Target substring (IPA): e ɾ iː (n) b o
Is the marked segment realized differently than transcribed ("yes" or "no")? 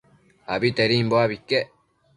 yes